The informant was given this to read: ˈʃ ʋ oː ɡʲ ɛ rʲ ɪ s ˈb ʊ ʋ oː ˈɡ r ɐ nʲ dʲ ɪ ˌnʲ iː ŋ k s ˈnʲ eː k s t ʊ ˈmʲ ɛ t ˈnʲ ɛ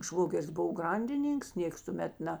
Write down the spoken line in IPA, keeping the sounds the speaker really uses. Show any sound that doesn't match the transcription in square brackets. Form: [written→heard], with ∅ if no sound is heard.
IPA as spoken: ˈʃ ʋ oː ɡʲ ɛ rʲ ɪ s ˈb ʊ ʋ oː ˈɡ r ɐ nʲ dʲ ɪ ˌnʲ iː ŋ k s ˈnʲ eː k s t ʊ ˈmʲ ɛ t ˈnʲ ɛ